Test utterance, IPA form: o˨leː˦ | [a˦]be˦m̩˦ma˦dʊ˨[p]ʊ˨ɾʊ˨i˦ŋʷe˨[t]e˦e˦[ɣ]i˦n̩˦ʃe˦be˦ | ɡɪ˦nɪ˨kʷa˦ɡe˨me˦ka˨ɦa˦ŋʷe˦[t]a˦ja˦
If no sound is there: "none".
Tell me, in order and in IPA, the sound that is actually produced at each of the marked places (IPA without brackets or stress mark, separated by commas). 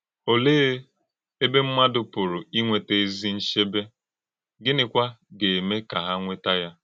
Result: e˦, p, t, z, t